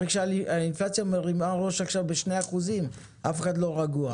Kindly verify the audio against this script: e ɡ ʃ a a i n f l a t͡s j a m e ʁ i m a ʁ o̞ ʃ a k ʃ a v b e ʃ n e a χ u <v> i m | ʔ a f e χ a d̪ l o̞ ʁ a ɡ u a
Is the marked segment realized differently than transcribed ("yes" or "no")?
yes